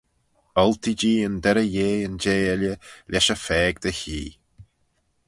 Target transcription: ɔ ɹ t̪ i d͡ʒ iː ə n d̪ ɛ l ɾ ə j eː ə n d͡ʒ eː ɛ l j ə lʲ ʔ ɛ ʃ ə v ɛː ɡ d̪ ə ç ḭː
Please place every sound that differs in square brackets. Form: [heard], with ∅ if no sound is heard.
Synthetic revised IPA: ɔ [l] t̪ i d͡ʒ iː ə n d̪ ɛ [∅] ɾ ə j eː ə n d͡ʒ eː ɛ l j ə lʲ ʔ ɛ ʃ ə [f] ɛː ɡ d̪ ə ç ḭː